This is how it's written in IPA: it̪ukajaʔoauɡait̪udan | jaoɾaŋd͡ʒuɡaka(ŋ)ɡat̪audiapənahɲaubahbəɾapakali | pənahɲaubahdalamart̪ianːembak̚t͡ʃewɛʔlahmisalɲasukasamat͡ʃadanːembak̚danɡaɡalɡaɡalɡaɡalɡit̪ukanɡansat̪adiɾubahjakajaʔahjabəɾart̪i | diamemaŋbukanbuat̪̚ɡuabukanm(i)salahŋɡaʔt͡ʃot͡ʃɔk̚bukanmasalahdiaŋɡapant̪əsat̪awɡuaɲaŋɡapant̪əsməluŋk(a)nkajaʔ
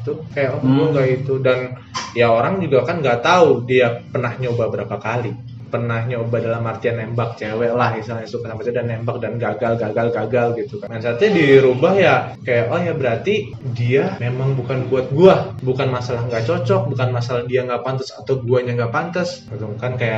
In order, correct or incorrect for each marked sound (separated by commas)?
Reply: incorrect, incorrect, correct